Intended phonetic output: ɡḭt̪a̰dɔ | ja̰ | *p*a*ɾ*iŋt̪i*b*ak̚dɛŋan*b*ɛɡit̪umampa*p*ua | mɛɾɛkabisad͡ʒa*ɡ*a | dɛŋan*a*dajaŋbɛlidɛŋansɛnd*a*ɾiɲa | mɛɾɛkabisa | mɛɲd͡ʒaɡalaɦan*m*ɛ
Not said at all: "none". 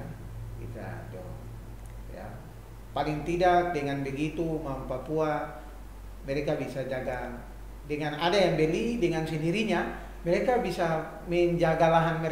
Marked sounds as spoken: p, l, d, b, p, ɡ, a, i, m

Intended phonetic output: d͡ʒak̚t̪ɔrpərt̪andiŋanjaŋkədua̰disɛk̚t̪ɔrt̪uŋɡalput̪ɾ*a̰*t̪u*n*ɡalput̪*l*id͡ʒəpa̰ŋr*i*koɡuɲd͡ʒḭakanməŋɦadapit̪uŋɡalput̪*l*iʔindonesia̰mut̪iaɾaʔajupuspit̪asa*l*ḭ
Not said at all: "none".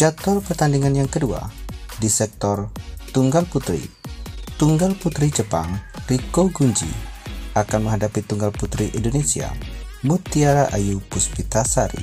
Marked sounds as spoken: ḭ, ŋ, ɾ, i, ɾ, ɾ

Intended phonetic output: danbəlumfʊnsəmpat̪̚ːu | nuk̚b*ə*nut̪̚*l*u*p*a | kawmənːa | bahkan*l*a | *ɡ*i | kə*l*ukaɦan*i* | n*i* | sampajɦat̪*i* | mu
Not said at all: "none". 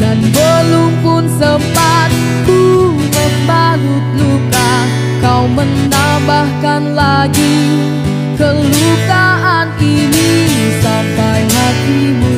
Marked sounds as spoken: a, l, k, l, ɡ, l, i, i, i

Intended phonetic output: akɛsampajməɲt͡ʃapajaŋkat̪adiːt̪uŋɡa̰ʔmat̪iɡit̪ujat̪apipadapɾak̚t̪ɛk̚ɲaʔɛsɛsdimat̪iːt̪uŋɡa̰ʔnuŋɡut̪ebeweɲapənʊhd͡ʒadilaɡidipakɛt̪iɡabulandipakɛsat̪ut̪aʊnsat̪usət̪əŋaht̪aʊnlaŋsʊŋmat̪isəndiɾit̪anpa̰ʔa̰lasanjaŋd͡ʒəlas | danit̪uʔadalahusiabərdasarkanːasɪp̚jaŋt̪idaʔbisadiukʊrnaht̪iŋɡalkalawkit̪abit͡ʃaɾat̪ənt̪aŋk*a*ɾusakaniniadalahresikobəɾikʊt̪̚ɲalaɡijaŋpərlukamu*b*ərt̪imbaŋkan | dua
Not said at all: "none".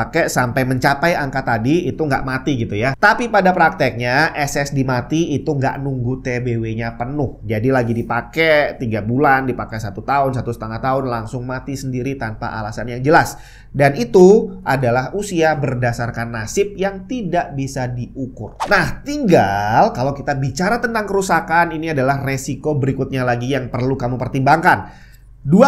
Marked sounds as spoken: ə, p

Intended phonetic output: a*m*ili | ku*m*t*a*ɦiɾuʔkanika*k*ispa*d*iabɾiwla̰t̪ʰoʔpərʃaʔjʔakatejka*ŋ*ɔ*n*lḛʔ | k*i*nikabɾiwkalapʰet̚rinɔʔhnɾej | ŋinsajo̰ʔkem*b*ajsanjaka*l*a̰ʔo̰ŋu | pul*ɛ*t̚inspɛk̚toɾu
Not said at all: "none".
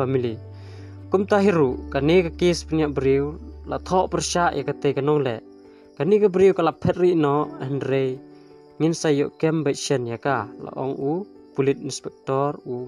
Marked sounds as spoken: m, m, a, k, n, n, ŋ, a, b, l, i

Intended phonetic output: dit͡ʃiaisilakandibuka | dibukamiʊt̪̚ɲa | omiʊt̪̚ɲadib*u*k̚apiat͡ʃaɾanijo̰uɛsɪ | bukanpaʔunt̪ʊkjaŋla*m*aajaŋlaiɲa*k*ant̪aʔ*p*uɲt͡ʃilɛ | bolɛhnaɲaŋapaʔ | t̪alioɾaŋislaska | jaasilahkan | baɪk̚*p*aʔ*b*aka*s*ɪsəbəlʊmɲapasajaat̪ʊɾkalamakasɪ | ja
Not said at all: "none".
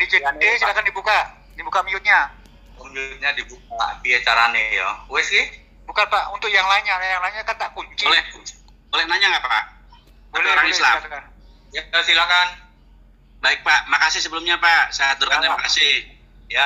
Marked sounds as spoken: u, ɲ, k, k, p, m, s

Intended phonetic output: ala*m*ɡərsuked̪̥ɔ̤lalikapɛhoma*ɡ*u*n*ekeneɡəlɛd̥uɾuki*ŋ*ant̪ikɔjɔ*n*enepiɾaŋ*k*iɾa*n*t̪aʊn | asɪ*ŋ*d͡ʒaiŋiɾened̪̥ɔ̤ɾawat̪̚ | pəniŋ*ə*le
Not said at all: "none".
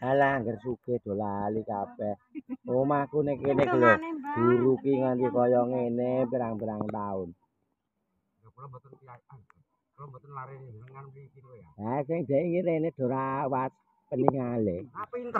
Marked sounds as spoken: ŋ, k, n, ŋ, ŋ, p, ŋ, ŋ, a

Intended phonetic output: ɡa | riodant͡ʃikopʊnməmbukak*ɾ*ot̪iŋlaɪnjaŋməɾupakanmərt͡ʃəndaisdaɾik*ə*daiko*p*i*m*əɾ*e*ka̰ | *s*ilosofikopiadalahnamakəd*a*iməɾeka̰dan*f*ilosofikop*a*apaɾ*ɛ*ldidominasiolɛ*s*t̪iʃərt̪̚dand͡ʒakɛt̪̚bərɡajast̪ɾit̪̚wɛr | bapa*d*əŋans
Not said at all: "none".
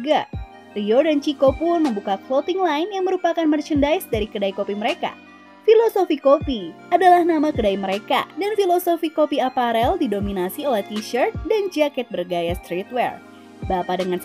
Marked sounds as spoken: l, ə, p, m, e, f, a, f, i, ɛ, h, d

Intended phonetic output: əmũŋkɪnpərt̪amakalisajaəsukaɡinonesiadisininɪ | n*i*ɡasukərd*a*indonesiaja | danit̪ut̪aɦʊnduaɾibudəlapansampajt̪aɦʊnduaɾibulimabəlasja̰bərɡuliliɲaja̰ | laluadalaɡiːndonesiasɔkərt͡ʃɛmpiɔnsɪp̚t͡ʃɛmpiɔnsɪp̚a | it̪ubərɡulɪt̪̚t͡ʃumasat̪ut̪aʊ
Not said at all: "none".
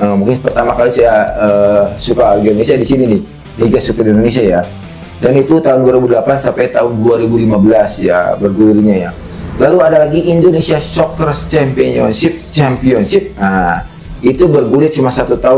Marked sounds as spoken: i, i

